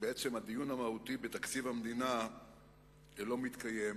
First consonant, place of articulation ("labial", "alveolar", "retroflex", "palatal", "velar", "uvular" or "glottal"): labial